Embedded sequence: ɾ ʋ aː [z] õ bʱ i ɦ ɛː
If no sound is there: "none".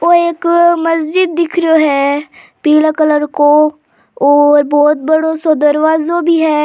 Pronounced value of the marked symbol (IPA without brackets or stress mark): z